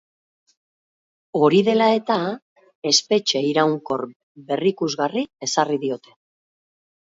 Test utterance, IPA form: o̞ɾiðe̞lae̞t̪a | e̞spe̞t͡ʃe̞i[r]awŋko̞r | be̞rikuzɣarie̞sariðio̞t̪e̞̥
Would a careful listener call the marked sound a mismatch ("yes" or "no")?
yes